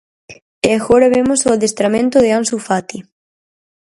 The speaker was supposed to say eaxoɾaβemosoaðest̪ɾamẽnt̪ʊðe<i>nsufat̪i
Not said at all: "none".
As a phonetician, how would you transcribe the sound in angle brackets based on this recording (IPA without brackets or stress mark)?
a